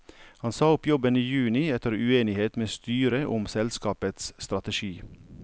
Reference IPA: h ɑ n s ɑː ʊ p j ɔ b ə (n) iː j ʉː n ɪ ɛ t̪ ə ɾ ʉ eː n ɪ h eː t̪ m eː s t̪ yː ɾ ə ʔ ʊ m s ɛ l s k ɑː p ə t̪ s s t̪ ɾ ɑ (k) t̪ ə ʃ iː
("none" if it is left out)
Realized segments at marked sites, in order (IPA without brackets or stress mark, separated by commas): n, none